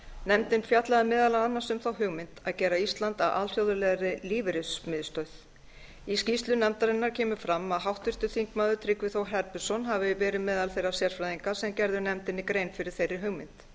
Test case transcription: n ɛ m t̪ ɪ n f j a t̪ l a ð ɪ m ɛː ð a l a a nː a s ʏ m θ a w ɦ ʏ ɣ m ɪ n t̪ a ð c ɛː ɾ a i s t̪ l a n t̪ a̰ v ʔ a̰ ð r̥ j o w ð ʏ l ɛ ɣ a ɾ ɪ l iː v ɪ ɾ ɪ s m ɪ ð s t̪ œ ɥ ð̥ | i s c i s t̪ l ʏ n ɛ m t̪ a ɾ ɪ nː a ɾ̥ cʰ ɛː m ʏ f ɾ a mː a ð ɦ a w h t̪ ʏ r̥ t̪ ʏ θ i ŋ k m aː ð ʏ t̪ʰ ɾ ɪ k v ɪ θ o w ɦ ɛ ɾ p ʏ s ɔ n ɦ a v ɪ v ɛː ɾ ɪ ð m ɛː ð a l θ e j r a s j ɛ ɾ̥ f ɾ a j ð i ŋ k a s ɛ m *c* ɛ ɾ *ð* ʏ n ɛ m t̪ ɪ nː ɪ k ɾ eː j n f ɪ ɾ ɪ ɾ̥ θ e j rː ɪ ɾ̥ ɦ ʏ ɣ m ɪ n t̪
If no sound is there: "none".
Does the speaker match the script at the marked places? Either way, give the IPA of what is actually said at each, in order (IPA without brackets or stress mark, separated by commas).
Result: c, ð